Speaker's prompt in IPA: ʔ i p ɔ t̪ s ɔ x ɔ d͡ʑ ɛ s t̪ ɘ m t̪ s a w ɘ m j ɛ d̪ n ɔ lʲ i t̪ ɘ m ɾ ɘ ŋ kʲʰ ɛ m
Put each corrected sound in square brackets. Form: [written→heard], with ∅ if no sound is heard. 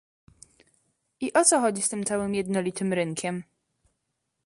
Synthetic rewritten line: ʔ i [p→ʔ] ɔ t̪ s ɔ x ɔ d͡ʑ [ɛ→i] s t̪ ɘ m t̪ s a w ɘ m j ɛ d̪ n ɔ lʲ i t̪ ɘ m ɾ ɘ ŋ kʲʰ ɛ m